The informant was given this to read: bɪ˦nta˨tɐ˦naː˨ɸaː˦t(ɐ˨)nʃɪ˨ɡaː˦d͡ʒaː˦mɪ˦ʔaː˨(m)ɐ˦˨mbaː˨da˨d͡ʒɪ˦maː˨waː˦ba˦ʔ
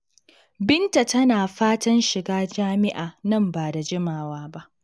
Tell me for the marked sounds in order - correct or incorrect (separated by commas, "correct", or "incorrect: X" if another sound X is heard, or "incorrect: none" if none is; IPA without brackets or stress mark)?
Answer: incorrect: ɐ˦, incorrect: n